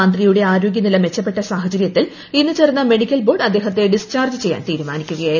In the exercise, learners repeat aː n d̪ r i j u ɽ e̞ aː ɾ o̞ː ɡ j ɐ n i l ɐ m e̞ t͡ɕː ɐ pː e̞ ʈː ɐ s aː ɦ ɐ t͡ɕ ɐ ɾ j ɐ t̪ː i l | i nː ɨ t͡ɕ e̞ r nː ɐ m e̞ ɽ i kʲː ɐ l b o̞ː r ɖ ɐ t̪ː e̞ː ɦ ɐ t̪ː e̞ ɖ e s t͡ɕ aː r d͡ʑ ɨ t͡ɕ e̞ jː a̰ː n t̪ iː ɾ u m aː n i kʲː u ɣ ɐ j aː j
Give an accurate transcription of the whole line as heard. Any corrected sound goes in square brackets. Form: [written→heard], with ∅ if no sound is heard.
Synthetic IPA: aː n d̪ r i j u ɽ e̞ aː ɾ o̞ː ɡ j ɐ n i l ɐ m e̞ t͡ɕː ɐ pː e̞ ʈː ɐ s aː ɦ ɐ t͡ɕ ɐ ɾ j ɐ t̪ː i l | i nː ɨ t͡ɕ e̞ r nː ɐ m e̞ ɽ i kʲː ɐ l b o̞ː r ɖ ɐ [t̪ː→d̪ː] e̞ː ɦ ɐ t̪ː e̞ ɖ [e→i] s t͡ɕ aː r d͡ʑ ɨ t͡ɕ e̞ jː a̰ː n t̪ iː ɾ u m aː n i kʲː u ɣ ɐ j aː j